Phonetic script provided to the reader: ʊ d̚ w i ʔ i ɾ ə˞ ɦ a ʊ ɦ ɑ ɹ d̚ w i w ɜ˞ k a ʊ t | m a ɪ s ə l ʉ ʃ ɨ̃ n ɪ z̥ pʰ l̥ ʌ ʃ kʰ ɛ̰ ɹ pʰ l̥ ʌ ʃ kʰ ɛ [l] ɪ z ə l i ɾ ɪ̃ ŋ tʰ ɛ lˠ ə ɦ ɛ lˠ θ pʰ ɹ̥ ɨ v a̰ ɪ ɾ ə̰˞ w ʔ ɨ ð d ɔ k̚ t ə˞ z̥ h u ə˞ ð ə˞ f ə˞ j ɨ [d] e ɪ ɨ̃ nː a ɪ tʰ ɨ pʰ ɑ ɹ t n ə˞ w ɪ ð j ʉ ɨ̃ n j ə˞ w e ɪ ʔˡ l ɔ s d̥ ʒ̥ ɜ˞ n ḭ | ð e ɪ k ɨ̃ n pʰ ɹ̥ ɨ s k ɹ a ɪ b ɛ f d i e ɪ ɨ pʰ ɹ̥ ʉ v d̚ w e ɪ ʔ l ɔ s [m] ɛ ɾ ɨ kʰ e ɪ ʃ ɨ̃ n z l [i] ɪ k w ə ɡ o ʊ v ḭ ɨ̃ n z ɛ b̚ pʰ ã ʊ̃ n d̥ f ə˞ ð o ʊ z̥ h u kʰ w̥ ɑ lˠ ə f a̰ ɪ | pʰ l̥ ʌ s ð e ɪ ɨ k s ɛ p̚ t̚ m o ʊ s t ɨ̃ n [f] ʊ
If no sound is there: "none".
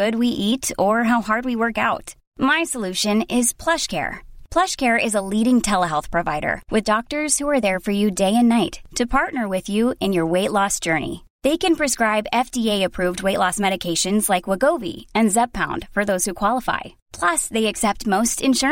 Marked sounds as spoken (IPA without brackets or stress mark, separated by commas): ɹ, d, m, a, ʃ